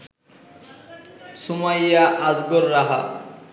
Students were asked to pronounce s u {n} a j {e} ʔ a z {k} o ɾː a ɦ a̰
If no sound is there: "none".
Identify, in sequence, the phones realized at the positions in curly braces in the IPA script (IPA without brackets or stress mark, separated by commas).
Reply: m, a, ɡ